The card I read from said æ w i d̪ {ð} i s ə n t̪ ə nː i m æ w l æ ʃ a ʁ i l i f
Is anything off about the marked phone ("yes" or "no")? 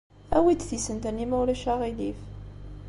yes